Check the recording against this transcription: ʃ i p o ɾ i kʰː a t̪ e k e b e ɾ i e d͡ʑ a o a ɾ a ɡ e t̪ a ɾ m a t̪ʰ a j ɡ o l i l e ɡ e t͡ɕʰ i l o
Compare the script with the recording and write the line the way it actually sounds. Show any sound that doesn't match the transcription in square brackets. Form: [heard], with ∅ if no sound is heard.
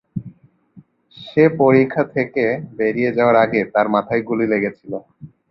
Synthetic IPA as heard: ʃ [e] p o ɾ i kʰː a [t̪ʰ] e k e b e ɾ i e d͡ʑ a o a ɾ a ɡ e t̪ a ɾ m a t̪ʰ a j ɡ [u] l i l e ɡ e t͡ɕʰ i l o